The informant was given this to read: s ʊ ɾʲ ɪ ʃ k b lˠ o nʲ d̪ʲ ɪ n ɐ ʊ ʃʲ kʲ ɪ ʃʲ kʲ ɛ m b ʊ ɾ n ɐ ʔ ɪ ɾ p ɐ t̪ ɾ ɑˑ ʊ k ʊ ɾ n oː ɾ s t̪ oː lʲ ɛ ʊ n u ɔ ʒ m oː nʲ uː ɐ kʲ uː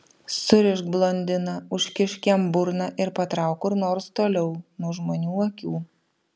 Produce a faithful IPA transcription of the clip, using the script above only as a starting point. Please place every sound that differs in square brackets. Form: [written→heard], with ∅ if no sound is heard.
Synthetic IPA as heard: s ʊ ɾʲ ɪ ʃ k b lˠ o nʲ d̪ʲ ɪ n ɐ ʊ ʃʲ kʲ ɪ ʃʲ kʲ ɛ m b ʊ ɾ n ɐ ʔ ɪ ɾ p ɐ t̪ ɾ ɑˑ ʊ k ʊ ɾ n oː ɾ s t̪ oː lʲ ɛ ʊ n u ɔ ʒ m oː nʲ uː ɐ kʲ uː